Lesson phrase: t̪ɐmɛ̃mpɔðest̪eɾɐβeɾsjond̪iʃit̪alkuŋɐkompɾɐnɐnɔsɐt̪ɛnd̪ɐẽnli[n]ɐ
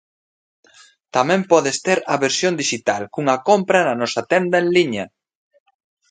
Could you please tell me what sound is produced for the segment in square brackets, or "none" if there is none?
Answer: ɲ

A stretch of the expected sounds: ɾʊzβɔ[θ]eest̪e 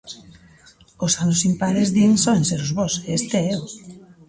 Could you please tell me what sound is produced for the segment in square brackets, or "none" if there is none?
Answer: s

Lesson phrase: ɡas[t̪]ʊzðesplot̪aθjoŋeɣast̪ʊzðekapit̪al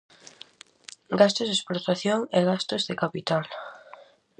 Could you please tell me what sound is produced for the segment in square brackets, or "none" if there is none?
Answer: t̪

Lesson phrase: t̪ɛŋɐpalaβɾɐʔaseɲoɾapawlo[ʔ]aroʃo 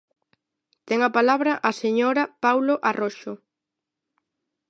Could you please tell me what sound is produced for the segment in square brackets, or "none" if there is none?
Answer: ʔ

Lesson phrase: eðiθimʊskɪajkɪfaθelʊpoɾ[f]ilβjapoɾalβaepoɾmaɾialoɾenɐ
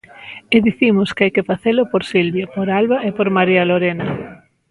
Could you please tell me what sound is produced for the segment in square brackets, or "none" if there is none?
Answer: s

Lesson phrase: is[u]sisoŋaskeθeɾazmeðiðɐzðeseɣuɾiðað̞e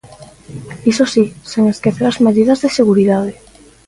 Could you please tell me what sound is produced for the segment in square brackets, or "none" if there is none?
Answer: o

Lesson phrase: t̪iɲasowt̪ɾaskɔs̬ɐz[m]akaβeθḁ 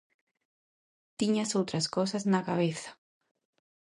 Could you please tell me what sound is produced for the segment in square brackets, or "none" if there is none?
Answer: n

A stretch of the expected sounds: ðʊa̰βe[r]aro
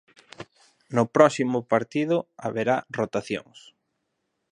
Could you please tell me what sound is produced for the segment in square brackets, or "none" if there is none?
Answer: ɾ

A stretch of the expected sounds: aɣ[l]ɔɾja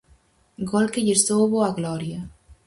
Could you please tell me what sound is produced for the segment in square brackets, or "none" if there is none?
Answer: l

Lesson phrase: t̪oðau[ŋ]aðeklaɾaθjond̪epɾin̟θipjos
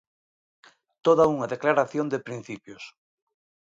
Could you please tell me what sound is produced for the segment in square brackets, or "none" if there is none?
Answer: ŋ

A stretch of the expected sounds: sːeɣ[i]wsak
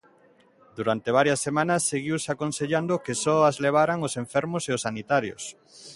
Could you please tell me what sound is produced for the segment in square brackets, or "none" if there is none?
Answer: i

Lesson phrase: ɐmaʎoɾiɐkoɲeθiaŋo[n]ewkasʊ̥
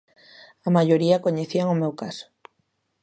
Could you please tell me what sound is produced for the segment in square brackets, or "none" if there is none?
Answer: m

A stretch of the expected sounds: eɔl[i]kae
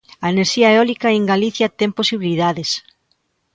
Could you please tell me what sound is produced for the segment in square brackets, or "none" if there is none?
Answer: i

